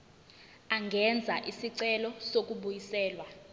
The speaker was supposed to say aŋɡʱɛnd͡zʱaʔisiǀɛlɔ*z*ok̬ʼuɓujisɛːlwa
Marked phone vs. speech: incorrect: s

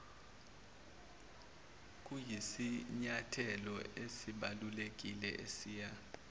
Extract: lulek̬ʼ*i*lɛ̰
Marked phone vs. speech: correct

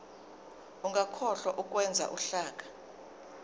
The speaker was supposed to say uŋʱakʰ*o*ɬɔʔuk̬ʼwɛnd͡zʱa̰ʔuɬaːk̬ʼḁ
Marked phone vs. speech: incorrect: ɔ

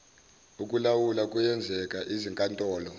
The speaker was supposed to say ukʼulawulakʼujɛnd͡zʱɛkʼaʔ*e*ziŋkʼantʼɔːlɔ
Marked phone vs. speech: incorrect: i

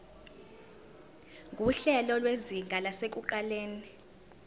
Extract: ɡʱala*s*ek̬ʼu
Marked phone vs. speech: correct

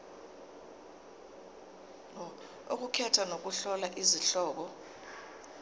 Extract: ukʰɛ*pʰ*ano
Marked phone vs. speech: incorrect: tʰ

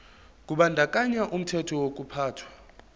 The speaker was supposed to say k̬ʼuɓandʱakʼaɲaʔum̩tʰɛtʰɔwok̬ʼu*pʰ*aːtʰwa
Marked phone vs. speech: correct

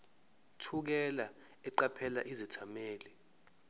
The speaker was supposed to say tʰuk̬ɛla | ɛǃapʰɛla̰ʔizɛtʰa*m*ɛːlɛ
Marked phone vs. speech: correct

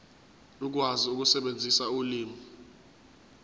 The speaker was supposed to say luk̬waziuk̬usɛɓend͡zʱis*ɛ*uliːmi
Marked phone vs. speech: incorrect: a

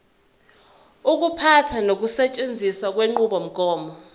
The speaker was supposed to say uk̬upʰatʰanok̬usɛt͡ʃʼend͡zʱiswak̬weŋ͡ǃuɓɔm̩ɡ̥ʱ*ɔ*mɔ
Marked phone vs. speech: incorrect: ɔː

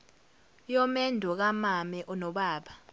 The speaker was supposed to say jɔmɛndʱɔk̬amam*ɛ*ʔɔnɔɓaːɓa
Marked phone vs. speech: correct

